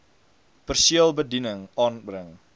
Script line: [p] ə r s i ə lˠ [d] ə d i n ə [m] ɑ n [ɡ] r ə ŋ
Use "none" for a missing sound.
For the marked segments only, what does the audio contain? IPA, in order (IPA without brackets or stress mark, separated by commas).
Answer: p, b, ŋ, b